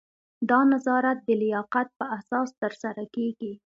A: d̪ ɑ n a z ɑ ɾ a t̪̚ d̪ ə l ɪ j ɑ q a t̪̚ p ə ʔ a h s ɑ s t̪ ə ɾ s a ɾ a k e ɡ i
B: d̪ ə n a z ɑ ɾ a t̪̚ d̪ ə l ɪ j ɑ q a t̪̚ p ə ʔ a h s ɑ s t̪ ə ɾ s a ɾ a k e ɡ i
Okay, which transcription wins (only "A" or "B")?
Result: A